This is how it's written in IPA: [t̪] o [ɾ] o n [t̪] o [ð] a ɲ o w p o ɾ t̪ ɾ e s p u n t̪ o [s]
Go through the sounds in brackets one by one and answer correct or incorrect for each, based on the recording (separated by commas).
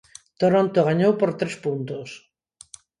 correct, correct, correct, incorrect, correct